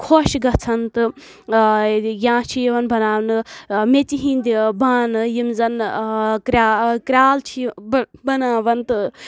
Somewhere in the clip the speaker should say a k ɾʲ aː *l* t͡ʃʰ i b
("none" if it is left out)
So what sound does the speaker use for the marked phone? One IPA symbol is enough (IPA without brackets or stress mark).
l